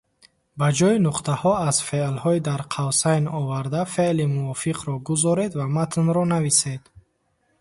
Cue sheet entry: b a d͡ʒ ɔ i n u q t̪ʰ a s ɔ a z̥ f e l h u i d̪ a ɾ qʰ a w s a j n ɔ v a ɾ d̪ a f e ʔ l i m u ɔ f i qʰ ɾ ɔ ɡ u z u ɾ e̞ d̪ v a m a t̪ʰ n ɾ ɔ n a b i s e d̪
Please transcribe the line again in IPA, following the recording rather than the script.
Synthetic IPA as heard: b a d͡ʒ ɔ i n u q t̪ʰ a h ɔ a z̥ f e l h ɔ i d̪ a ɾ qʰ a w s a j n ɔ v a ɾ d̪ a f e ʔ l i m u ɔ f i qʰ ɾ ɔ ɡ u z ɔ ɾ e̞ d̪ v a m a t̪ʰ n ɾ ɔ n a v i s e d̪